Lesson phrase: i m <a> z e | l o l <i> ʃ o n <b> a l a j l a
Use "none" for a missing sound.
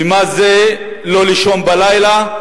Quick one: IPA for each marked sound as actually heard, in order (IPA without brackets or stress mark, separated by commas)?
a, i, b